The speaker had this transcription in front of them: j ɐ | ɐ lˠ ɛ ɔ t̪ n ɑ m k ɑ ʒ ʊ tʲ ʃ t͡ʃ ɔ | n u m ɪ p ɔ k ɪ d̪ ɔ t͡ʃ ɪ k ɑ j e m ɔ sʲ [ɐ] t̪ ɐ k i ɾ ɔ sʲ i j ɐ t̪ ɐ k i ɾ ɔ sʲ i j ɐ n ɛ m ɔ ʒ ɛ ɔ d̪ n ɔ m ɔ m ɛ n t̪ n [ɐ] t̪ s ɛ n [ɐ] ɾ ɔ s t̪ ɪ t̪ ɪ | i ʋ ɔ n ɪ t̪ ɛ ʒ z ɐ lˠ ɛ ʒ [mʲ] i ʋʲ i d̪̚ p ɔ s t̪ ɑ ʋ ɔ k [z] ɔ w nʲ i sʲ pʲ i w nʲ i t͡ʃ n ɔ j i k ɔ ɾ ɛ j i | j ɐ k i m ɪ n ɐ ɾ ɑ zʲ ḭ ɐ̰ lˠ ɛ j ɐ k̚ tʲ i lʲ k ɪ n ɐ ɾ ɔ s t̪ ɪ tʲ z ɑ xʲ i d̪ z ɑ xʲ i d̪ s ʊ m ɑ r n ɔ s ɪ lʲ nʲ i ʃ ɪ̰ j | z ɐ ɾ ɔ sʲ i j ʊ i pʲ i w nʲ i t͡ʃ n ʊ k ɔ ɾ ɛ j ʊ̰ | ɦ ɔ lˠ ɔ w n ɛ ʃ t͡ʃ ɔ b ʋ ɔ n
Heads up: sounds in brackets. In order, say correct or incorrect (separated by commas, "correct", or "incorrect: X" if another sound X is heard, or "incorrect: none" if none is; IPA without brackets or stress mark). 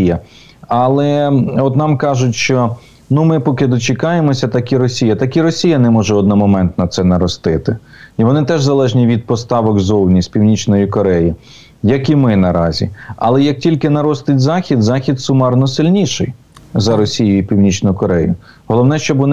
correct, correct, correct, incorrect: nʲ, correct